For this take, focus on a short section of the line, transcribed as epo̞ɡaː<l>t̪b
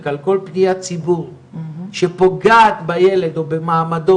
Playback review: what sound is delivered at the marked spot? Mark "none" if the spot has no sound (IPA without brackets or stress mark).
none